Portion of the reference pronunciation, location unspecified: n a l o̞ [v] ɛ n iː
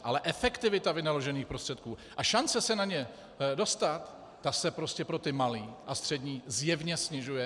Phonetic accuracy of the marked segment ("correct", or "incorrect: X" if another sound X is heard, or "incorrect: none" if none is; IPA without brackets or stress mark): incorrect: ʒ